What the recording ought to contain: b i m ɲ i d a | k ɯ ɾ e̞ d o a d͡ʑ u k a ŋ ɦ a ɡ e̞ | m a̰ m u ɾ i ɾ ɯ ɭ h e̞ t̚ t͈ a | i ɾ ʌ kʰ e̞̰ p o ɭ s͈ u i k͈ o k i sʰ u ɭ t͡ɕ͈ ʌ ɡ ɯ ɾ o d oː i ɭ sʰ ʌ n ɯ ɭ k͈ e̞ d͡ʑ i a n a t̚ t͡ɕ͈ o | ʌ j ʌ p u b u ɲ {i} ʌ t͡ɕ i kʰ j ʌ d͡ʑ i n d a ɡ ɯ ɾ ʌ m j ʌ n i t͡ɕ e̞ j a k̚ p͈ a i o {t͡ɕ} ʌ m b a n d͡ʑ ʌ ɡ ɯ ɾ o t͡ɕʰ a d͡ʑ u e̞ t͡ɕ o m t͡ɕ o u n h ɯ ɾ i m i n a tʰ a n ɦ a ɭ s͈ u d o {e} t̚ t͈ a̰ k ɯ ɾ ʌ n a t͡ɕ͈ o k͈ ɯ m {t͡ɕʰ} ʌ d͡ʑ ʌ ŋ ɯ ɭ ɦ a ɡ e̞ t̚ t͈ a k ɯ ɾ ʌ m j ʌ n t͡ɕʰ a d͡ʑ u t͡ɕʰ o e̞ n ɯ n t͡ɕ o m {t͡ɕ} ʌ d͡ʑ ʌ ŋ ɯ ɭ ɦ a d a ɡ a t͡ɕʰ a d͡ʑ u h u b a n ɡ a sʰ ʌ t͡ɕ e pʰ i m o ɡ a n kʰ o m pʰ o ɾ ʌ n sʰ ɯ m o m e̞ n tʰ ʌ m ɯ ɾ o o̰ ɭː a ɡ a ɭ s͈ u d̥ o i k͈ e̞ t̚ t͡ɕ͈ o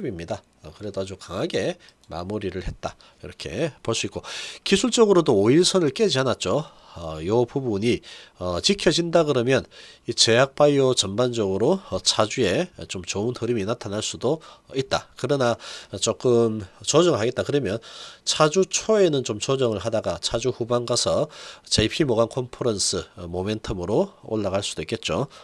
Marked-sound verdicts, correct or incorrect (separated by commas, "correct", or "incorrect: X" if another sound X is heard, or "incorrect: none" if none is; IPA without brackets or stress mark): correct, correct, incorrect: i, incorrect: t͡ɕ, correct